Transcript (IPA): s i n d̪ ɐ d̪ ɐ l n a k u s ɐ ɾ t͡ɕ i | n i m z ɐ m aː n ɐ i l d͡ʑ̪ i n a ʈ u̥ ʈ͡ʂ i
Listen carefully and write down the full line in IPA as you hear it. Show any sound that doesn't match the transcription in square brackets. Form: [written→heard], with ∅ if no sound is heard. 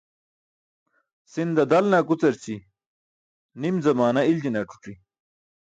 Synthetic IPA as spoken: s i n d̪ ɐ d̪ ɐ l n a k u [s→t͡s] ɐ ɾ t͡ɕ i | n i m z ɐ m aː n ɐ i l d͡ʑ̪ i n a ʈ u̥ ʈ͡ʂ i